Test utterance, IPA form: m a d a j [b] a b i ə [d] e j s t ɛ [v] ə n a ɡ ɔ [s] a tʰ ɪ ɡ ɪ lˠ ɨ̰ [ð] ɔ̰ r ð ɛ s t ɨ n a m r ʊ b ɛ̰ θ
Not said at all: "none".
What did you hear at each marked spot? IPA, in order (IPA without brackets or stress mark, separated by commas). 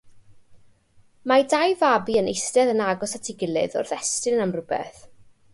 v, n, ð, s, ð